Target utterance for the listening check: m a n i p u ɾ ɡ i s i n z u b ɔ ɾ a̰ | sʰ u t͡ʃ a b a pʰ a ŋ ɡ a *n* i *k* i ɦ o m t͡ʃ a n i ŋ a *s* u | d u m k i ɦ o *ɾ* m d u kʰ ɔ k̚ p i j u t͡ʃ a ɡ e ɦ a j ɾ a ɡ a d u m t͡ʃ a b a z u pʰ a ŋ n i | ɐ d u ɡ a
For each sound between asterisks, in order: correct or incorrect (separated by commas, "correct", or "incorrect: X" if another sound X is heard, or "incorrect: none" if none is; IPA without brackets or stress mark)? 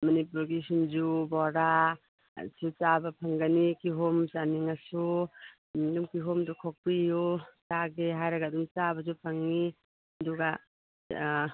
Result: correct, correct, correct, incorrect: none